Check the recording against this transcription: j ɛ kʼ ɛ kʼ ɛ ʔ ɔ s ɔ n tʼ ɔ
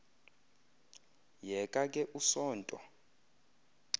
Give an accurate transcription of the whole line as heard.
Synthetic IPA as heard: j ɛ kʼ a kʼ ɛ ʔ u s ɔː n tʼ ɔ